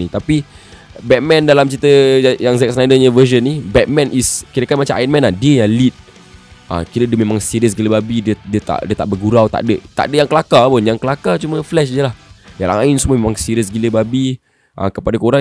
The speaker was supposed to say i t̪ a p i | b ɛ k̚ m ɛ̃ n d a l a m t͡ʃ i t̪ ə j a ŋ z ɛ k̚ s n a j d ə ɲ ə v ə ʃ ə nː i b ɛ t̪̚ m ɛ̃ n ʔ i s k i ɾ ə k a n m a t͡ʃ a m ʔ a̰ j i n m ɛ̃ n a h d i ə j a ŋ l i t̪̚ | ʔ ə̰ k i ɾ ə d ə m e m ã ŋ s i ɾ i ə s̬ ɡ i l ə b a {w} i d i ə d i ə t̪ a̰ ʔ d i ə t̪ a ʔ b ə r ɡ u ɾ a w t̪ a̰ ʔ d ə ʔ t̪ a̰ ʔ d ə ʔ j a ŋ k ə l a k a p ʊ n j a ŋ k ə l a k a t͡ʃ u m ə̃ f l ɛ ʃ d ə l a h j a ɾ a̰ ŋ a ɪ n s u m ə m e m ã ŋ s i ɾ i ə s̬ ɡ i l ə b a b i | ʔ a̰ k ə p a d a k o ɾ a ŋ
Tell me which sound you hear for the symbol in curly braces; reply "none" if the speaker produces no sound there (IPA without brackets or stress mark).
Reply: b